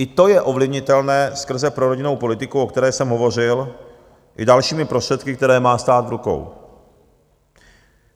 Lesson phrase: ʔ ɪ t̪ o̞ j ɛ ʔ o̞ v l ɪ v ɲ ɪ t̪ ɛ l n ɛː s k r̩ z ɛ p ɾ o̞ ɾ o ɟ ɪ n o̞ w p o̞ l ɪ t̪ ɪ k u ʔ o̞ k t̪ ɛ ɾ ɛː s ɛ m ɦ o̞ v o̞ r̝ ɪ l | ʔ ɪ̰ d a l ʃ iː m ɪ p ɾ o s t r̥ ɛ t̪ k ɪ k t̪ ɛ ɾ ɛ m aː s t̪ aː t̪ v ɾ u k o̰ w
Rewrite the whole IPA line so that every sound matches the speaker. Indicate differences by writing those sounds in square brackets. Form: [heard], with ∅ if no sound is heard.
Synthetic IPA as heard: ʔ ɪ t̪ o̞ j ɛ ʔ o̞ v l ɪ v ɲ ɪ t̪ ɛ l n ɛː s k r̩ z ɛ p ɾ o̞ ɾ o ɟ ɪ n o̞ w p o̞ l ɪ t̪ ɪ k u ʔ o̞ k t̪ ɛ ɾ ɛː s ɛ m ɦ o̞ v o̞ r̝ ɪ l | ʔ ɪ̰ d a l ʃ iː m ɪ p ɾ o s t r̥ ɛ t̪ k ɪ k t̪ ɛ ɾ [ɛː] m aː s t̪ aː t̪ v ɾ u k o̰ w